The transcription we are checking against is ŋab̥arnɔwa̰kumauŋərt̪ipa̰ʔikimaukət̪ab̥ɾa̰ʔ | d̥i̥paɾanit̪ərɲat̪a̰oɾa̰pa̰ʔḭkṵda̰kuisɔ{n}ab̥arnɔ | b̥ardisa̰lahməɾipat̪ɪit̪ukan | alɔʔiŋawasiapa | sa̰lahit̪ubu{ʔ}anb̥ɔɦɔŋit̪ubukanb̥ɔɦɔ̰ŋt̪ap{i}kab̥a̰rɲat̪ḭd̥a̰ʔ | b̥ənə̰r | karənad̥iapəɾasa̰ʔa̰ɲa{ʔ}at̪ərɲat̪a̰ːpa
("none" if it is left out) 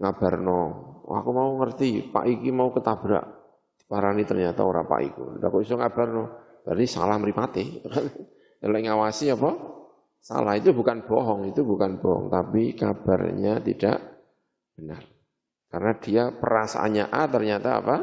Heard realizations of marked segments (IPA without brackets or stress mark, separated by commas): ŋ, k, i, ʔ